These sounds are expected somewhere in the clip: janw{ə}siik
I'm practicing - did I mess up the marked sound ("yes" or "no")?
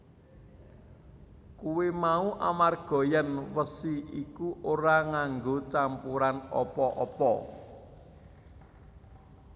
no